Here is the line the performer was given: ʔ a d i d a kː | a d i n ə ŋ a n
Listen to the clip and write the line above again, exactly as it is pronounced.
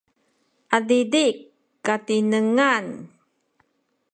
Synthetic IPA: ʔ a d i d i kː | a t i n ə ŋ a n